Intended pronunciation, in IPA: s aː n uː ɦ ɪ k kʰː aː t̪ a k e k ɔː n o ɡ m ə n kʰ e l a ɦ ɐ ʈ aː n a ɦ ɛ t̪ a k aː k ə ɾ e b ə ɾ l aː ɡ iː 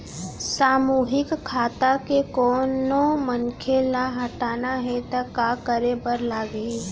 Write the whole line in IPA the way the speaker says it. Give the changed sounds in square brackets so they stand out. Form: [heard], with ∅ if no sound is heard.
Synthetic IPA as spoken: s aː [m] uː ɦ ɪ k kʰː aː t̪ a k e k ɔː n o [∅] m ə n kʰ e l a ɦ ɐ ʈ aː n a ɦ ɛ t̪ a k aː k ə ɾ e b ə ɾ l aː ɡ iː